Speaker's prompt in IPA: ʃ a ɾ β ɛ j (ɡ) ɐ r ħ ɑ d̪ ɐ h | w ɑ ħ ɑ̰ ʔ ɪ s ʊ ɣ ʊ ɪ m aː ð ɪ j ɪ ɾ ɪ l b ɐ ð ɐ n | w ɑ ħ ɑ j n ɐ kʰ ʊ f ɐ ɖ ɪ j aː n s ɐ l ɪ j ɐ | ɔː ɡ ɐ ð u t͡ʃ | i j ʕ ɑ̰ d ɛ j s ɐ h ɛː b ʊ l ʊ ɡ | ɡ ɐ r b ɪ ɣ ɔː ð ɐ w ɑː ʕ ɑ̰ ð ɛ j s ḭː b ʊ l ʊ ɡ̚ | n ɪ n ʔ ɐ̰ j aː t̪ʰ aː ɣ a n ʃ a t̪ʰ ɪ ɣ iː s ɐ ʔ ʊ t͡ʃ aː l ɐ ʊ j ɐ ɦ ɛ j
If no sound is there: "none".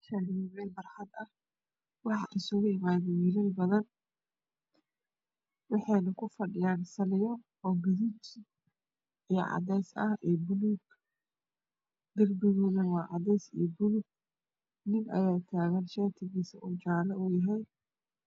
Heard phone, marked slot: b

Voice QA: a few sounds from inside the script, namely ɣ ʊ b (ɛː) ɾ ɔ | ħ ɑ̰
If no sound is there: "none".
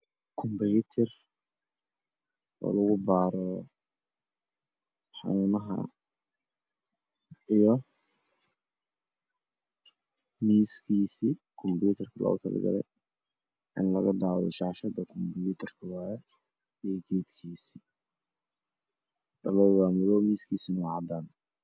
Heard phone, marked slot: aː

